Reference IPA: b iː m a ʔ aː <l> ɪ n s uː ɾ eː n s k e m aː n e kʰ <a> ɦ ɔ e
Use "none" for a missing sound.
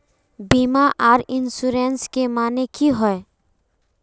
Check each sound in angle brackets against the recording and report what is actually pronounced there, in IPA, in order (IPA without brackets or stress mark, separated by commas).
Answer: ɾ, i